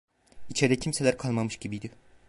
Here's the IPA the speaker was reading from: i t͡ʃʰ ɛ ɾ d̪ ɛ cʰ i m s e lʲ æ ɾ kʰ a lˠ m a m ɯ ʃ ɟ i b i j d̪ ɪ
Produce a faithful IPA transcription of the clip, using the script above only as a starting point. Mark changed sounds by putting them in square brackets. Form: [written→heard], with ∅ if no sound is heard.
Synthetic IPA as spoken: i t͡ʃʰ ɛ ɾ d̪ ɛ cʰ i m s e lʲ æ ɾ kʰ a lˠ m a m ɯ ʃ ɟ i b i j d̪ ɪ